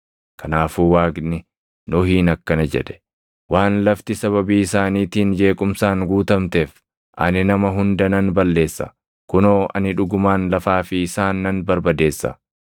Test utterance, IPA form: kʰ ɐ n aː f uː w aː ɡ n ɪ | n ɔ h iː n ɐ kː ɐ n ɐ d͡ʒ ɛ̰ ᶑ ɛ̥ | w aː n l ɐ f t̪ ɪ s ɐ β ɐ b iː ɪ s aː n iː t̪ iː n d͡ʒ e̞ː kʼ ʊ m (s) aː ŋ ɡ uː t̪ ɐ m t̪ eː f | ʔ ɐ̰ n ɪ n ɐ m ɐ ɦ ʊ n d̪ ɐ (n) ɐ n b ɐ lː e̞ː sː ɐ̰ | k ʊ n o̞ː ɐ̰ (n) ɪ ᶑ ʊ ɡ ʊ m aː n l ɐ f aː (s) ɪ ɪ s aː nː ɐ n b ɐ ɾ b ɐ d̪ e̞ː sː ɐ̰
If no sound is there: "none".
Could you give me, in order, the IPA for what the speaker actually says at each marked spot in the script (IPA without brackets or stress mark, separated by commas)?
s, n, n, f